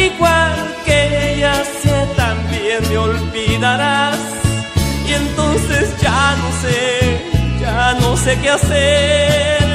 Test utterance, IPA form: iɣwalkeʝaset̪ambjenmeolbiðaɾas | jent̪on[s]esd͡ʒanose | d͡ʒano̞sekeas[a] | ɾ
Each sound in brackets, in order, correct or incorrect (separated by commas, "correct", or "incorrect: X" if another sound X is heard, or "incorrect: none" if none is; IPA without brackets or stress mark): correct, incorrect: e